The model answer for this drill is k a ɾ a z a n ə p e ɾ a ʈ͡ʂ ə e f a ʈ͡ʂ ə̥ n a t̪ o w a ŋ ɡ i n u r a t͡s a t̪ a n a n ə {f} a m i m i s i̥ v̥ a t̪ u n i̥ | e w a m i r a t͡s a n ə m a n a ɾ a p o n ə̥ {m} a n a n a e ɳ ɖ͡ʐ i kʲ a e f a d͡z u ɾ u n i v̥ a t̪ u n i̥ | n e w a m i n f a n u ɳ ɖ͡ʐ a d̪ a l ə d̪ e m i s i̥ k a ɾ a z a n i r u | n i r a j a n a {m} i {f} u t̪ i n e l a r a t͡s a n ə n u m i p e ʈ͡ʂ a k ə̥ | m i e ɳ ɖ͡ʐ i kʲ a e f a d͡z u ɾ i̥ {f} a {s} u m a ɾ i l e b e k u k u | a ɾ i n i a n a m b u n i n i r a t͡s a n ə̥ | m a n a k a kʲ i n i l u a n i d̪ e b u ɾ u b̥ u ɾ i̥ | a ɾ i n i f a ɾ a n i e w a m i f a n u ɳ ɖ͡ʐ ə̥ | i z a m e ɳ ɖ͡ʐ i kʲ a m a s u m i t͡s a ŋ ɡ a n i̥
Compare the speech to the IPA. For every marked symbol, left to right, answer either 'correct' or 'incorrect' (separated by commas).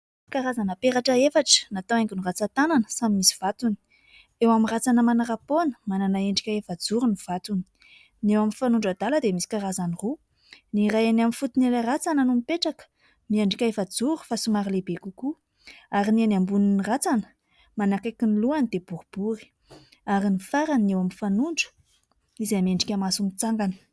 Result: incorrect, correct, correct, correct, correct, correct